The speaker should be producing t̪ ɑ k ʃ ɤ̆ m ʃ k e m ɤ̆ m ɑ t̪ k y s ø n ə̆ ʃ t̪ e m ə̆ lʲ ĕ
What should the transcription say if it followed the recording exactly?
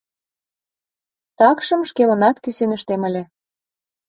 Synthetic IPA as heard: t̪ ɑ k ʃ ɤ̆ m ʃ k e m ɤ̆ n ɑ t̪ k y s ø n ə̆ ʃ t̪ e m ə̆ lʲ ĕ